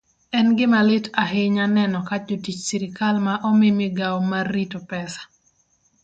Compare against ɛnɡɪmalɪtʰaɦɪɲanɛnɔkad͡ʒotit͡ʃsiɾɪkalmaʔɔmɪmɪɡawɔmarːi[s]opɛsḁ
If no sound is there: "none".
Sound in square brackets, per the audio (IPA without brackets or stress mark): t